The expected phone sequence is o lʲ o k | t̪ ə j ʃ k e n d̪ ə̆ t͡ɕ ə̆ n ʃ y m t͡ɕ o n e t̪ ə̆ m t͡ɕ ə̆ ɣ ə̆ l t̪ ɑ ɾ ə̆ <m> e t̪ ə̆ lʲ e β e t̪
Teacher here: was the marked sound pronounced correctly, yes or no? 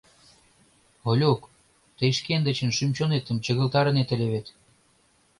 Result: no